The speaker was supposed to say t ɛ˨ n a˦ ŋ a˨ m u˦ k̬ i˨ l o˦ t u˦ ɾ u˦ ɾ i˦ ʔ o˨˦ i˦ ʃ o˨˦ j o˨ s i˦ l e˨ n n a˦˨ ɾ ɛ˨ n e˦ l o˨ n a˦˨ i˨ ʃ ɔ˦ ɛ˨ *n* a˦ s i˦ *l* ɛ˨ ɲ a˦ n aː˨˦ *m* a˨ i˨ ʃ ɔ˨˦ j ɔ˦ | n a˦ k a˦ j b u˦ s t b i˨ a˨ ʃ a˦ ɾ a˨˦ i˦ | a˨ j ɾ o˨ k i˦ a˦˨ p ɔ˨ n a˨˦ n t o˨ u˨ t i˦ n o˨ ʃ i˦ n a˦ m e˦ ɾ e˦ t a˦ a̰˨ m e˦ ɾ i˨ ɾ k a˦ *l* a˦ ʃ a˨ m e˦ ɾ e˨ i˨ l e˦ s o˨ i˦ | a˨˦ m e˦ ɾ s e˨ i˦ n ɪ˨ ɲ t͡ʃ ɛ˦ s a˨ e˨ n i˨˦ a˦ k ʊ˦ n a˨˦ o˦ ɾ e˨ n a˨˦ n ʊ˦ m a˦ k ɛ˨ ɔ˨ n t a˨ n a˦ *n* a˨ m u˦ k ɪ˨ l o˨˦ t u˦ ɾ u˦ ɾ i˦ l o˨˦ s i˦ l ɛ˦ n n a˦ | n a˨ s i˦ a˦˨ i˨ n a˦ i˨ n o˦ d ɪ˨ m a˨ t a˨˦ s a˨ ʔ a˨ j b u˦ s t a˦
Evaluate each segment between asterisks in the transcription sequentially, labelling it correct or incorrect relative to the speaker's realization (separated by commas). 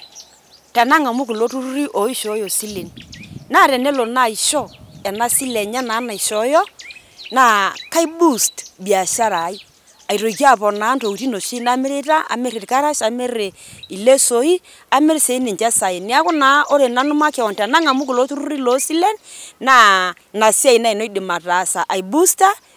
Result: correct, correct, incorrect, incorrect, incorrect